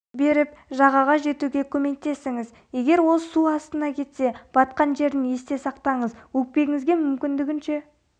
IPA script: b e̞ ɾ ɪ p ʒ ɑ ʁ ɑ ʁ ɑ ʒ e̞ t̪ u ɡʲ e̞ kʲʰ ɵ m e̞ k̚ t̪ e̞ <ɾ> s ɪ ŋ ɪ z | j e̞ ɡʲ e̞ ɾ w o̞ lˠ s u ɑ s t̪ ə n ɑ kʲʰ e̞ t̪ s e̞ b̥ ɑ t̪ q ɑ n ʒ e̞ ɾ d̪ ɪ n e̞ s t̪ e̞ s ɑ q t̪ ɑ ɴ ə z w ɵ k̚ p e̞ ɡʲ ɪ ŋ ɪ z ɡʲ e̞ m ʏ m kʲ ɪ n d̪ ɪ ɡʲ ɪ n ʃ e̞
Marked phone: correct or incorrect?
incorrect